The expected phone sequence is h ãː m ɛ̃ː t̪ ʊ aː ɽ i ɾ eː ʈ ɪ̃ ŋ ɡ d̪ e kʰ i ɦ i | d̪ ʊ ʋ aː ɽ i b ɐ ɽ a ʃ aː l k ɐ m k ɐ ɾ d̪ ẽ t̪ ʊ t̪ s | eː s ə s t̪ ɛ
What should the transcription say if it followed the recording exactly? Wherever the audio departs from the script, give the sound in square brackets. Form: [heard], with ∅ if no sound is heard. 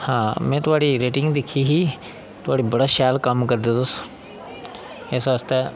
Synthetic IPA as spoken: h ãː m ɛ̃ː t̪ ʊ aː ɽ i ɾ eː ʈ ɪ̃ ŋ ɡ d̪ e kʰ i ɦ i | [t̪] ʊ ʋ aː ɽ i b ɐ ɽ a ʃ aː l k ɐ m k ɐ ɾ d̪ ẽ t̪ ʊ [∅] s | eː s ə s t̪ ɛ